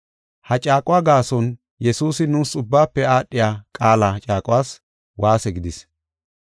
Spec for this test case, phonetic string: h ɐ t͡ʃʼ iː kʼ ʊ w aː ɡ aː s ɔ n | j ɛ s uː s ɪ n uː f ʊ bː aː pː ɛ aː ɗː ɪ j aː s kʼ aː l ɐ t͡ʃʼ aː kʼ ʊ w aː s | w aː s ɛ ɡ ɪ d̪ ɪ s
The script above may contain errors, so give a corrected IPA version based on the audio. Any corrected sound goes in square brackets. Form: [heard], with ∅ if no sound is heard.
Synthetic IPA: h ɐ t͡ʃʼ [aː] kʼ ʊ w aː ɡ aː s ɔ n | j ɛ s uː s ɪ n uː [s] ʊ bː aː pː ɛ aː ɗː ɪ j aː [∅] kʼ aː l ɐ t͡ʃʼ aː kʼ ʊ w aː s | w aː s ɛ ɡ ɪ d̪ ɪ s

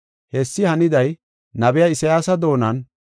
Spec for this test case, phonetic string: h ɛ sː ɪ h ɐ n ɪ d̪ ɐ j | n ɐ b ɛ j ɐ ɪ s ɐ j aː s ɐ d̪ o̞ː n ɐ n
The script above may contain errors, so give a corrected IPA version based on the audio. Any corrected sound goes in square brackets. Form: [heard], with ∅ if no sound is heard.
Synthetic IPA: h ɛ sː ɪ h ɐ n ɪ d̪ ɐ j | n ɐ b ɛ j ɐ ɪ s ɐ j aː s ɐ d̪ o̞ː n ɐ n

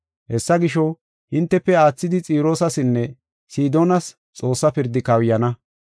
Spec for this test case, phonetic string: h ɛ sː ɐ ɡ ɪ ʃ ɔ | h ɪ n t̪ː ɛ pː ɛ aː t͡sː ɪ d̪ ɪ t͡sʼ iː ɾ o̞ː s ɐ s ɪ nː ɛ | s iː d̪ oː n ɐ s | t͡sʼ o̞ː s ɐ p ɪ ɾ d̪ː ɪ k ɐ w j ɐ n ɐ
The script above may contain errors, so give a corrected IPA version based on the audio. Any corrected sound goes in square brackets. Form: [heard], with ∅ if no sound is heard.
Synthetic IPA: h ɛ sː ɐ ɡ ɪ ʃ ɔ | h ɪ n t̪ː ɛ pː ɛ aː t͡sː ɪ d̪ ɪ t͡sʼ iː ɾ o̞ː s ɐ s ɪ nː ɛ | s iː d̪ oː n ɐ s | t͡sʼ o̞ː [sː] ɐ p ɪ ɾ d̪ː ɪ k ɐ w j ɐ n ɐ

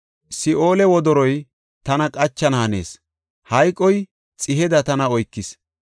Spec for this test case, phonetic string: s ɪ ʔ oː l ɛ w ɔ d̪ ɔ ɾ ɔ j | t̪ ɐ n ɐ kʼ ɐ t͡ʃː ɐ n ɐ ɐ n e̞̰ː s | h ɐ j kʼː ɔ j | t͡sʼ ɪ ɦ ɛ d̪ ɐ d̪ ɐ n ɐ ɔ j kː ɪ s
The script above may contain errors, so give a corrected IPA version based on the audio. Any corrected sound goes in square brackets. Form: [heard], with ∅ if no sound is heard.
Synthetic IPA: s ɪ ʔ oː l ɛ w ɔ d̪ ɔ ɾ ɔ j | t̪ ɐ n ɐ kʼ ɐ t͡ʃː ɐ n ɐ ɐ n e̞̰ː s | h ɐ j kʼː ɔ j | t͡sʼ ɪ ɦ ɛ d̪ ɐ [t̪] ɐ n ɐ ɔ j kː ɪ s

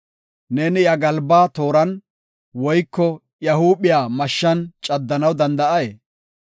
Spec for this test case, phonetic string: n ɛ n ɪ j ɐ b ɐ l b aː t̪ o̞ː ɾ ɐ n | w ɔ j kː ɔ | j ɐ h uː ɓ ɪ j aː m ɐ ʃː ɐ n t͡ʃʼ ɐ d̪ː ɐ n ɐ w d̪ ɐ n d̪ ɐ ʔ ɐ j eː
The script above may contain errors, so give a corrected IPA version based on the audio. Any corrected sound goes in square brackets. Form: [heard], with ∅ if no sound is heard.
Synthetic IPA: n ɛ n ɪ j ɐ [ɡ] ɐ l b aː t̪ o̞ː ɾ ɐ n | w ɔ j kː ɔ | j ɐ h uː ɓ ɪ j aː m ɐ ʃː ɐ n t͡ʃʼ ɐ d̪ː ɐ n ɐ w d̪ ɐ n d̪ ɐ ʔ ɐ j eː

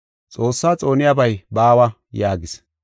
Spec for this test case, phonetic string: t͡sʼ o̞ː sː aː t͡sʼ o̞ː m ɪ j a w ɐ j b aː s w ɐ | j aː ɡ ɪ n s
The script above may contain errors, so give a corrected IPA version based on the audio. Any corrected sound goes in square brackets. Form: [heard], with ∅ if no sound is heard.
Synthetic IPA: t͡sʼ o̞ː sː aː t͡sʼ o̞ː [n] ɪ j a [b] ɐ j b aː [∅] w ɐ | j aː ɡ ɪ [∅] s

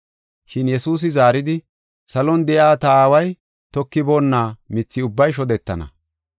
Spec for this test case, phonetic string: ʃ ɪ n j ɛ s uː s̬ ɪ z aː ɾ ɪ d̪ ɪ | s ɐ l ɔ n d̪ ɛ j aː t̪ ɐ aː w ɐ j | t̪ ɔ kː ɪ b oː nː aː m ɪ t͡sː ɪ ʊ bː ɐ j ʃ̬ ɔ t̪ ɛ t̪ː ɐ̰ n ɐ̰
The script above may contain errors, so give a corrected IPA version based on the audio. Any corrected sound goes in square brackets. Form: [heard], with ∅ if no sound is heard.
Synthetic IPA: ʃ ɪ n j ɛ s uː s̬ ɪ z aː ɾ ɪ d̪ ɪ | s ɐ l ɔ n d̪ ɛ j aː t̪ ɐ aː w ɐ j | t̪ ɔ kː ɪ b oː nː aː m ɪ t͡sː ɪ ʊ bː ɐ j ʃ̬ ɔ [d̪] ɛ t̪ː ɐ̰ n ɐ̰

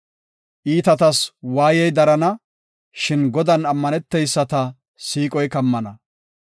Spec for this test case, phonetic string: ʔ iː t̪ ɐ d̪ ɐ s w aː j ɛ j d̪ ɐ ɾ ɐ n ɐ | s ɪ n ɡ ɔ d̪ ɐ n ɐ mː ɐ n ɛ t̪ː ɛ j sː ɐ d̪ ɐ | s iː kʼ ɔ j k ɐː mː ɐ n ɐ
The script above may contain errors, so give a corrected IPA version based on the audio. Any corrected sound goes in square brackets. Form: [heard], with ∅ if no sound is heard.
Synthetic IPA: ʔ iː t̪ ɐ [t̪] ɐ s w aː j ɛ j d̪ ɐ ɾ ɐ n ɐ | [ʃ] ɪ n ɡ ɔ d̪ ɐ n ɐ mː ɐ n ɛ t̪ː ɛ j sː ɐ [t̪] ɐ | s iː kʼ ɔ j k [ɐ] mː ɐ n ɐ

